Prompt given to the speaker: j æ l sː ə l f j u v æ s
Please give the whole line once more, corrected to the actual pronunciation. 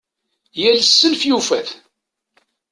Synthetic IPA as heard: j æ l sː ə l f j u f æ θ